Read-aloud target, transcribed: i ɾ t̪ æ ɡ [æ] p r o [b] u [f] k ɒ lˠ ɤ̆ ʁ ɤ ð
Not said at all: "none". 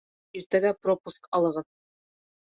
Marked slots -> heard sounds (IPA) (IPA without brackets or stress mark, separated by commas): æ, p, s